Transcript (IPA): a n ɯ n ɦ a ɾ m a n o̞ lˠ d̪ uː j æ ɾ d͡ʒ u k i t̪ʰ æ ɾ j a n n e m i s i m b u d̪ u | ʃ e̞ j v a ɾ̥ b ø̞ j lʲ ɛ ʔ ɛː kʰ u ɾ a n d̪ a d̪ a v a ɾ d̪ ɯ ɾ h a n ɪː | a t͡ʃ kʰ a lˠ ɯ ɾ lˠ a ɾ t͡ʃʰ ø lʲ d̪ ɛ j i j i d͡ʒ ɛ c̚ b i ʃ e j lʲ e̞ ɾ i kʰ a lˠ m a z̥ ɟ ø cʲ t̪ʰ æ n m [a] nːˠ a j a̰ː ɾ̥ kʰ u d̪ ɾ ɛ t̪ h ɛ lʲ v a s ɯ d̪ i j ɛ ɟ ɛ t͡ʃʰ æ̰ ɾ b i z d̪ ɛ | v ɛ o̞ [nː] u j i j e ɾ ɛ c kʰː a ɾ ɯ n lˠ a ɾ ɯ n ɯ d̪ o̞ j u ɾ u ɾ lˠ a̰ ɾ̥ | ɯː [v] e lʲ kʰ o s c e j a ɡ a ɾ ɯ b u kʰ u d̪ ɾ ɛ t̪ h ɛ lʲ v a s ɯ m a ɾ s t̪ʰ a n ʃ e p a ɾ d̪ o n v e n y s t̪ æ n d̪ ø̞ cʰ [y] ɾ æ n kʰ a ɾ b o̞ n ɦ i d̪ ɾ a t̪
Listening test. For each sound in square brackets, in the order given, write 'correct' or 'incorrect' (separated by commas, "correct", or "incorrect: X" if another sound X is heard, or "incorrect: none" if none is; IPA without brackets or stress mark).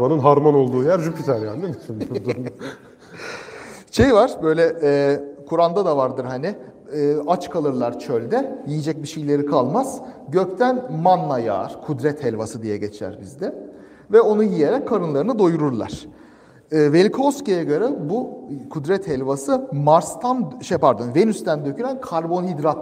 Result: correct, incorrect: n, correct, correct